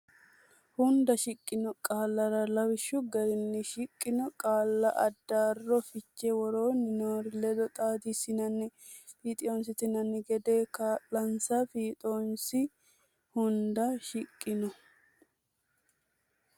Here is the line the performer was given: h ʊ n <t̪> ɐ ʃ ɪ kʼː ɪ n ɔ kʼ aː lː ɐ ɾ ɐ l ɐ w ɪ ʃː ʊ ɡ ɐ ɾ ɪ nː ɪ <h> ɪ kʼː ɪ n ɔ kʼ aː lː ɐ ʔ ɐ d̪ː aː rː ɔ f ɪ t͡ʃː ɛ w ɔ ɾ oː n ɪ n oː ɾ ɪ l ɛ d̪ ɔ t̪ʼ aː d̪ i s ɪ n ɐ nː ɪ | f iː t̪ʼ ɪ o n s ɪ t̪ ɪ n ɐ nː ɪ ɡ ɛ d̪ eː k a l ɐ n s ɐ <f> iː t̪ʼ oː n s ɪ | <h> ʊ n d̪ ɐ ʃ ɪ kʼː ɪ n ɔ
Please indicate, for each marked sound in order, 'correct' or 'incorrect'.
incorrect: d̪, incorrect: ʃ, correct, correct

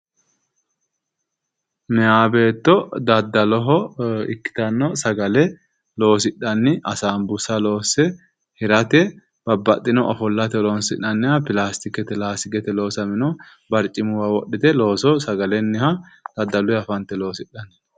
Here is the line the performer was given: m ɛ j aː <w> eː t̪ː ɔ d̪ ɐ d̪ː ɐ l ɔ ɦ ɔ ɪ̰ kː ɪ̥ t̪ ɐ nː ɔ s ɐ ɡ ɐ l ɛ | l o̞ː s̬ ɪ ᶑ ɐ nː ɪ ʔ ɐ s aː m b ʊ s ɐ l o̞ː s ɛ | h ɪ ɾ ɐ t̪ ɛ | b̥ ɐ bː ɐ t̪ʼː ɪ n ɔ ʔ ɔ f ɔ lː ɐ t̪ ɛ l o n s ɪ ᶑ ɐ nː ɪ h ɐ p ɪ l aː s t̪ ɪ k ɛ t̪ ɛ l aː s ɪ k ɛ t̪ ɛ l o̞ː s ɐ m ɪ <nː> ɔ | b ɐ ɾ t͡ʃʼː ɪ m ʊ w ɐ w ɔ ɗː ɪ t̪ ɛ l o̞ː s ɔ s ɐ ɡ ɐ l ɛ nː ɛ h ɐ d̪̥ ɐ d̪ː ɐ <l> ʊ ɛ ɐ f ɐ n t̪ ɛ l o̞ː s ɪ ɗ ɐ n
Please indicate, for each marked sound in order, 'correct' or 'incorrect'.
incorrect: b, incorrect: n, correct

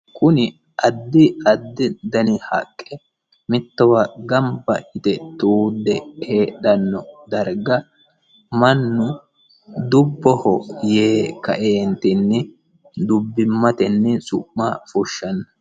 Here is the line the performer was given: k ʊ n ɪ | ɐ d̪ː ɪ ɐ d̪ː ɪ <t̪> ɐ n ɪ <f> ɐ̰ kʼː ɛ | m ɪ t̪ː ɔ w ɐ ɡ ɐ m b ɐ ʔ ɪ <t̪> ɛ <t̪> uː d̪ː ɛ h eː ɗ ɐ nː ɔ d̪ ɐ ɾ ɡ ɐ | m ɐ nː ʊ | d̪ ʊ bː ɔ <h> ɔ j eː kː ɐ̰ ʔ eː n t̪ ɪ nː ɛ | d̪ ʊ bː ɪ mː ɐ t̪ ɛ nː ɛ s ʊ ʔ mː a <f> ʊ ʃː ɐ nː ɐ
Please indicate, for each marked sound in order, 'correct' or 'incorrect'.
incorrect: d̪, incorrect: h, correct, correct, correct, correct

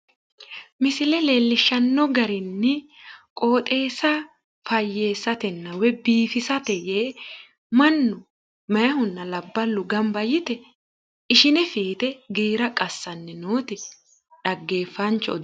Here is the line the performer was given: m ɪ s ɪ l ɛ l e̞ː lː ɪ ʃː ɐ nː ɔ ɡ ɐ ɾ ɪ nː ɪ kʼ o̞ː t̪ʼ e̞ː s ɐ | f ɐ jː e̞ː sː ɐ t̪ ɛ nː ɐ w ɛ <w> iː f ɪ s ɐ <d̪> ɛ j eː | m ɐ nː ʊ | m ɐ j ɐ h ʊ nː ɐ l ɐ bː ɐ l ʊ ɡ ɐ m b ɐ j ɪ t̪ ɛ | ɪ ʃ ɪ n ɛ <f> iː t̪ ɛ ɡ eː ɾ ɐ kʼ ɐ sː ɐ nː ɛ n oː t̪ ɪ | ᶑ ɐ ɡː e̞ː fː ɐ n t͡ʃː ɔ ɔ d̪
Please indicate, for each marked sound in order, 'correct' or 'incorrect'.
incorrect: b, incorrect: t̪, correct

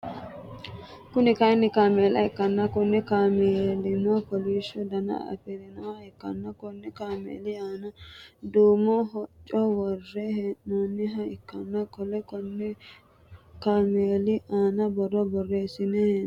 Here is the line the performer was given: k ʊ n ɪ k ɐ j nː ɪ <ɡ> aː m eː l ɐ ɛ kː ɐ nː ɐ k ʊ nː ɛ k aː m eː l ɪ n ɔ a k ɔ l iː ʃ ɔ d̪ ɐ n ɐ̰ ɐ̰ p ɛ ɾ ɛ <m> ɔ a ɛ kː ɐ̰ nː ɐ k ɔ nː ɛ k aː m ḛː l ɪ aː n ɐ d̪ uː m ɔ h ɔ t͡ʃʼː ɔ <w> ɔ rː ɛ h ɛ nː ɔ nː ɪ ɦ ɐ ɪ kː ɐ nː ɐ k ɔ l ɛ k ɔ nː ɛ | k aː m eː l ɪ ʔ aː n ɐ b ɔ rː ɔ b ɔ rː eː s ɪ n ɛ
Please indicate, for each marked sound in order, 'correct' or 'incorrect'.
incorrect: k, incorrect: n, correct

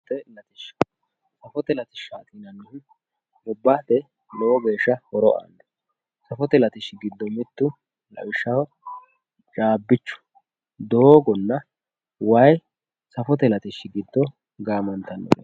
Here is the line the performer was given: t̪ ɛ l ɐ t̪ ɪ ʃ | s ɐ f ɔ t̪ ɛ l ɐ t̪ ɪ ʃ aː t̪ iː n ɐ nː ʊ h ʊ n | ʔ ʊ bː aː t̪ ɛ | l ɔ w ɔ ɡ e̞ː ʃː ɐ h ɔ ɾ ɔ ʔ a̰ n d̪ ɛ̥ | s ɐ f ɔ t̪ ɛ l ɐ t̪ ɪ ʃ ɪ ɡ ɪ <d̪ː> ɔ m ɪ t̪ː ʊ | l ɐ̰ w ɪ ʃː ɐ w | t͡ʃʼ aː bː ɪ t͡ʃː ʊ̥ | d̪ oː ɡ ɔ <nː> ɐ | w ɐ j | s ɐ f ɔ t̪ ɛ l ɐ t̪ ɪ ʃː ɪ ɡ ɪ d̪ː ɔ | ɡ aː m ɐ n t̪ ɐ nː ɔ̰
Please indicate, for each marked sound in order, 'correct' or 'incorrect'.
correct, correct

